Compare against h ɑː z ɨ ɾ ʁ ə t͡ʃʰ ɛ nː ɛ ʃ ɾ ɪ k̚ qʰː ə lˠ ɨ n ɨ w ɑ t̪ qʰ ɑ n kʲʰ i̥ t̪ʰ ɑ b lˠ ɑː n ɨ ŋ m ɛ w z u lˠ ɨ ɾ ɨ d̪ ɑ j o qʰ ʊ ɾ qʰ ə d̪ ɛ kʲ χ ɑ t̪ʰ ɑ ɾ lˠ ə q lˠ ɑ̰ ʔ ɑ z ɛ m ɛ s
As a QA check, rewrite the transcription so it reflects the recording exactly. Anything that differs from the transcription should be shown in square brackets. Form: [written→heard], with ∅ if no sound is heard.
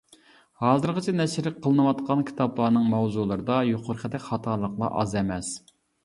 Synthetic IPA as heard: h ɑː z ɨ ɾ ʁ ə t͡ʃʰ ɛ [nː→n] ɛ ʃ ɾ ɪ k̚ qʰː ə lˠ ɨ n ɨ w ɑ t̪ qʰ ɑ n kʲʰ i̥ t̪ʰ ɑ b lˠ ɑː n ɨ ŋ m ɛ w z u lˠ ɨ ɾ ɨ d̪ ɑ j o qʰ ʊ ɾ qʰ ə d̪ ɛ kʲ χ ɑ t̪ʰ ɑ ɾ lˠ ə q lˠ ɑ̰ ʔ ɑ z ɛ m ɛ s